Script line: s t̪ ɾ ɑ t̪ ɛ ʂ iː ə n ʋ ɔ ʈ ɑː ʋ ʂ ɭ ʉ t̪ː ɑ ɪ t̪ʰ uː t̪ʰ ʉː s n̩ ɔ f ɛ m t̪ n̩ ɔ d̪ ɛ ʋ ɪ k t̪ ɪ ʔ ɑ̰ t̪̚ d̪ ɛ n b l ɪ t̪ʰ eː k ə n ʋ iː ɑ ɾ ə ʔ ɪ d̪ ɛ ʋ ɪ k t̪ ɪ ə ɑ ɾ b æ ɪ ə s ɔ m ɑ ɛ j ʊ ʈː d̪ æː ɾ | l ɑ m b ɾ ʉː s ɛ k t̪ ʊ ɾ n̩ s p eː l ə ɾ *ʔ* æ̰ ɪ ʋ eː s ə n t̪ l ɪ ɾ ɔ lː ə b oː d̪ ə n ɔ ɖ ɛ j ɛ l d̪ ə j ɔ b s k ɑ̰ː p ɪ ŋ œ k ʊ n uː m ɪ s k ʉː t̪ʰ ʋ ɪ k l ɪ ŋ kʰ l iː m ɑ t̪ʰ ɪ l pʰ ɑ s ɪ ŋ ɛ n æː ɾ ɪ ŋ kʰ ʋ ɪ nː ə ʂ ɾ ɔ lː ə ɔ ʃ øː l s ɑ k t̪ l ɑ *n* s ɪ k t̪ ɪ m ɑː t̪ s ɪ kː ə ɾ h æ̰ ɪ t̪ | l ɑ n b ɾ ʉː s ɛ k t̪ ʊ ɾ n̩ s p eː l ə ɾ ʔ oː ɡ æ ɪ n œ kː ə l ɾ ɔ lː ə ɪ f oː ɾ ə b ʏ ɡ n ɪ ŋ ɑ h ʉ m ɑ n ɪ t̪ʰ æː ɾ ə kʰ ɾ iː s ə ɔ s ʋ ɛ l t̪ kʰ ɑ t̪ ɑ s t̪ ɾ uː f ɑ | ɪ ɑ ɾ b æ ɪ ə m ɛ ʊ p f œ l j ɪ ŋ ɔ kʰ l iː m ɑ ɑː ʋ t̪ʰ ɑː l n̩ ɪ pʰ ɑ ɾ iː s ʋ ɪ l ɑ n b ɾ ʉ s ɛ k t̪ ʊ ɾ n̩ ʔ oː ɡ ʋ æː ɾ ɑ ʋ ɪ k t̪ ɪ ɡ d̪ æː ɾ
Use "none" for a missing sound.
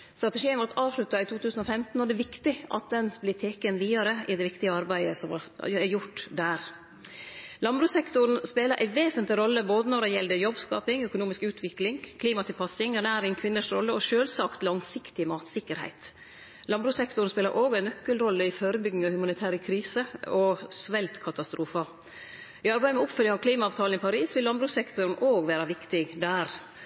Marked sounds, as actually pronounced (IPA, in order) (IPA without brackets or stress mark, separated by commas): ʔ, ŋ